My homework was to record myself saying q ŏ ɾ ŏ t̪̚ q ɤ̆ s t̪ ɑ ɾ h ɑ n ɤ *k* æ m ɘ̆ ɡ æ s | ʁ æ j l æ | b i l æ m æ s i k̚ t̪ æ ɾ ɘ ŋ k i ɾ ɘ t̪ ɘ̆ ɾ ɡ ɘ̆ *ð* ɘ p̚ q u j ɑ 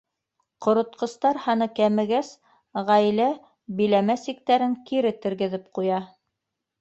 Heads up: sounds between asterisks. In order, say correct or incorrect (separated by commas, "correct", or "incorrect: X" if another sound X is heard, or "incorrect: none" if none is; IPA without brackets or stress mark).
correct, correct